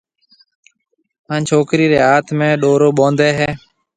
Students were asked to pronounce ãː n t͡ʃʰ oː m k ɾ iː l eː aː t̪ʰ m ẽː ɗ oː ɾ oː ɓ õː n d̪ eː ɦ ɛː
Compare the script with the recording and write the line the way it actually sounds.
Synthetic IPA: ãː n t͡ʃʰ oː k ɾ iː ɾ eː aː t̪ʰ m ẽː ɗ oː ɾ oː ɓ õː n d̪ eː ɦ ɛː